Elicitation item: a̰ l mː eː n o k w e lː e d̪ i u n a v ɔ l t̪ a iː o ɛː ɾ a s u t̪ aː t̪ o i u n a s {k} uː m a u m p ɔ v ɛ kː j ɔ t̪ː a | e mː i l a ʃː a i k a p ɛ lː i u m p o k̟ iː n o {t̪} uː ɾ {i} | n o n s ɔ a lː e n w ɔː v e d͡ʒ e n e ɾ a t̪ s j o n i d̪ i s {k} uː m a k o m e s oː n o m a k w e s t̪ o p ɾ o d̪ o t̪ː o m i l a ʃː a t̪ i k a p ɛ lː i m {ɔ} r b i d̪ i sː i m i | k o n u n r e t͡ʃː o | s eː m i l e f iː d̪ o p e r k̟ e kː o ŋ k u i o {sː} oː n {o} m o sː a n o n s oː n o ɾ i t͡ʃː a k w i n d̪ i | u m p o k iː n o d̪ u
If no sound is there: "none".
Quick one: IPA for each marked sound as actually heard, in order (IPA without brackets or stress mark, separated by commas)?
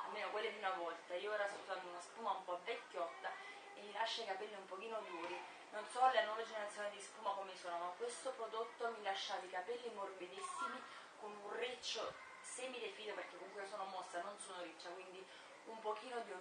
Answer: p, d̪, i, p, o, s, o